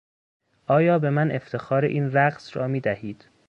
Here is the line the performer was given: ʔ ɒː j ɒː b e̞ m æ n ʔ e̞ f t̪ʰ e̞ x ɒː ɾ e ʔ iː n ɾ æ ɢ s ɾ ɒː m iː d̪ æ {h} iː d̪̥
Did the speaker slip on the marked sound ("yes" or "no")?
no